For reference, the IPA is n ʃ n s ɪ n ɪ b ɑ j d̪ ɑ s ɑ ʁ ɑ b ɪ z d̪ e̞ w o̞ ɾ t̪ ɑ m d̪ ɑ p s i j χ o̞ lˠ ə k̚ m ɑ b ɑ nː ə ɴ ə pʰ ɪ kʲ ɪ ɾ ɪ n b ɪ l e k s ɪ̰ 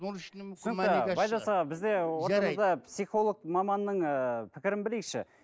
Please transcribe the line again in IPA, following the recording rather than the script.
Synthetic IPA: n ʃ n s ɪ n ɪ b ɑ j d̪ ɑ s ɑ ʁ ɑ b ɪ z d̪ e̞ w o̞ ɾ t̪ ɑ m d̪ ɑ p s i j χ o̞ lˠ ə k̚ m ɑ m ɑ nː ə ɴ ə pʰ ɪ kʲ ɪ ɾ ɪ n b ɪ l e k ʃ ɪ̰